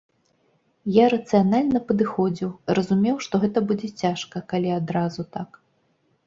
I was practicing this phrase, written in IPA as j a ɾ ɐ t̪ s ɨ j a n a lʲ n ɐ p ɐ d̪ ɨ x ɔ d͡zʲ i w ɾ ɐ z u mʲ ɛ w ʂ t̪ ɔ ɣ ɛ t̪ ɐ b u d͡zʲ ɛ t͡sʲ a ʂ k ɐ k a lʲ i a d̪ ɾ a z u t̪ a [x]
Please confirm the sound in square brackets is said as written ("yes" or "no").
no